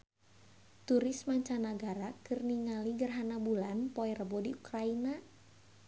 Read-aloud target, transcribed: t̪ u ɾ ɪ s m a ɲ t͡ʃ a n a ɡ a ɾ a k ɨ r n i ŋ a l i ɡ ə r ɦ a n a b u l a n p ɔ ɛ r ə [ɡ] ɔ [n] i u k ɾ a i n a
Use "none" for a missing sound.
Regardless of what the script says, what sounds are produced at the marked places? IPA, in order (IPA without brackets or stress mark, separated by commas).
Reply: b, d